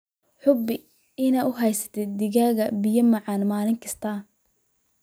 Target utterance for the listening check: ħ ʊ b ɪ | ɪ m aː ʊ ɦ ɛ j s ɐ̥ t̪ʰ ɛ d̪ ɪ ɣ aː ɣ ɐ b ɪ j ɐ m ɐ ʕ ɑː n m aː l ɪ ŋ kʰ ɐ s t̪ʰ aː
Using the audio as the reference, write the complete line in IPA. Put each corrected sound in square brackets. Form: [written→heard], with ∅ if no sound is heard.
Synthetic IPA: ħ ʊ b ɪ | ɪ [m→n] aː ʊ ɦ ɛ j s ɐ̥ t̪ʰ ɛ d̪ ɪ ɣ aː ɣ ɐ b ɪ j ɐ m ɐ ʕ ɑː n m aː l ɪ ŋ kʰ ɐ s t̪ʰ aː